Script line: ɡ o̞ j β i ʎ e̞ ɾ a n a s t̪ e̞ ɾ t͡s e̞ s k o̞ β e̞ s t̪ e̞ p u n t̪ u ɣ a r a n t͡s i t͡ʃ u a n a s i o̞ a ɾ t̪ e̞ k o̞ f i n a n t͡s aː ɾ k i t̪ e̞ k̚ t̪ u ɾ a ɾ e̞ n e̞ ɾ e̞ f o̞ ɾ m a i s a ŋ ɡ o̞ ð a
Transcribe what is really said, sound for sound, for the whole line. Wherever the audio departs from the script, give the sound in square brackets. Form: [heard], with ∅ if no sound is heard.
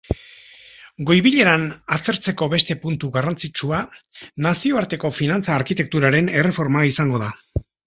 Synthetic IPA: ɡ o̞ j β i ʎ e̞ ɾ a n a s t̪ e̞ ɾ t͡s e̞ [∅] k o̞ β e̞ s t̪ e̞ p u n t̪ u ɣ a r a n t͡s i t͡ʃ u a n a s i o̞ a ɾ t̪ e̞ k o̞ f i n a n t͡s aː ɾ k i t̪ e̞ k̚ t̪ u ɾ a ɾ e̞ n e̞ [r] e̞ f o̞ ɾ m a i s a ŋ ɡ o̞ ð a